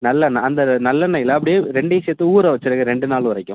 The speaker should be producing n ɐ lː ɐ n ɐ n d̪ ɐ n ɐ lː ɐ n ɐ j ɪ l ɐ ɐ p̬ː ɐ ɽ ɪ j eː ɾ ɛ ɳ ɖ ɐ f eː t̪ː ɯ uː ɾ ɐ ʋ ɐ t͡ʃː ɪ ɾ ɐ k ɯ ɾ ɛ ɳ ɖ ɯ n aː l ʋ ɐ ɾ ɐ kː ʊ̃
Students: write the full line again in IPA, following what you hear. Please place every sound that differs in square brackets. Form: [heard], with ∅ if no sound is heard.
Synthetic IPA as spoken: n ɐ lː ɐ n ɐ n d̪ ɐ n ɐ lː ɐ n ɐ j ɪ l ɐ ɐ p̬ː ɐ ɽ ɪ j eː ɾ ɛ ɳ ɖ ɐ [s] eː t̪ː ɯ uː ɾ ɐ ʋ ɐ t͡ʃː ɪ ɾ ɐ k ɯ ɾ ɛ ɳ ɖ ɯ n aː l ʋ ɐ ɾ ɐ kː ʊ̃